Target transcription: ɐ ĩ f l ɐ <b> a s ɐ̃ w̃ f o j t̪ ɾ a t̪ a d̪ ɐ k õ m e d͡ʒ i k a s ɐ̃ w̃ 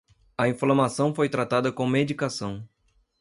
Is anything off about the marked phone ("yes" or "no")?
yes